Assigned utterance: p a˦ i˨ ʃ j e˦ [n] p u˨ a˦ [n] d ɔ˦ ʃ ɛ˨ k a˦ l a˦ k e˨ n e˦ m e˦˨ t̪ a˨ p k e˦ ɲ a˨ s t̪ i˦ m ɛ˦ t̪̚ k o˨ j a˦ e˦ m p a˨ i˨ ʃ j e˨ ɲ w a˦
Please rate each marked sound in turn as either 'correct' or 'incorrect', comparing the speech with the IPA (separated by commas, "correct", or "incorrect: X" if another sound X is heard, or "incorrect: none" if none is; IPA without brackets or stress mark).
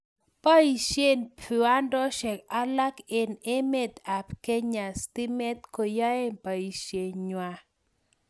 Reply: correct, correct